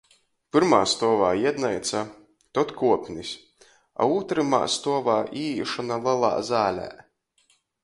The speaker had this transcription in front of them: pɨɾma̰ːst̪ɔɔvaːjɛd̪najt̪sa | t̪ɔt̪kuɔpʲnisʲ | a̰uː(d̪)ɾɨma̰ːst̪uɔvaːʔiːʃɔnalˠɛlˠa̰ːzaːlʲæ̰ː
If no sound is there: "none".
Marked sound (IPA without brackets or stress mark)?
t̪